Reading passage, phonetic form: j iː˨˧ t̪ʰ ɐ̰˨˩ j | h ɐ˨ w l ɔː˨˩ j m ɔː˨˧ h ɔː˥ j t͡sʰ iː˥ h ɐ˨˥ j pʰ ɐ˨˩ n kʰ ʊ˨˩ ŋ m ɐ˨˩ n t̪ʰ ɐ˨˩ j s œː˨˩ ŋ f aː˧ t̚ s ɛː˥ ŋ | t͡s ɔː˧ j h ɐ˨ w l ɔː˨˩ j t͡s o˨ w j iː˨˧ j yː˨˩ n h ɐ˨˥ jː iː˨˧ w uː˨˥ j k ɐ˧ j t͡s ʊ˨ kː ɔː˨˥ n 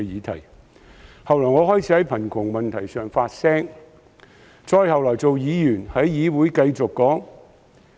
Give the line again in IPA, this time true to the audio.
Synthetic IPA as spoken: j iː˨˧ t̪ʰ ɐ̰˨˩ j | h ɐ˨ w l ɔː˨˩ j ŋ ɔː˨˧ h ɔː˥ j t͡sʰ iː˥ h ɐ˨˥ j pʰ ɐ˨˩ n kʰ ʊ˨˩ ŋ m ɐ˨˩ n t̪ʰ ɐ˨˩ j s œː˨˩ ŋ f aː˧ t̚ s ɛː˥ ŋ | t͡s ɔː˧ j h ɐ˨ w l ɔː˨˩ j t͡s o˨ w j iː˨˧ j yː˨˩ n h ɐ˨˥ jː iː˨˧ w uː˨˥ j k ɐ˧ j t͡s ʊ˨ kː ɔː˨˥ ŋ